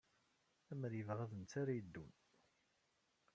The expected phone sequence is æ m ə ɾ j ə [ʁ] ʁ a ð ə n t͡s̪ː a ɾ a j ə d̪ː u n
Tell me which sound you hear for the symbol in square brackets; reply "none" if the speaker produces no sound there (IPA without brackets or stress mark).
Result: v